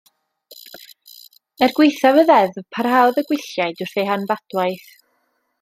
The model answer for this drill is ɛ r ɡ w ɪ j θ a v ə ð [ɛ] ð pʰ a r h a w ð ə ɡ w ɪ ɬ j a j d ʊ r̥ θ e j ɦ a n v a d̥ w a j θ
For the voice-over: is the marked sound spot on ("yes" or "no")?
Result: yes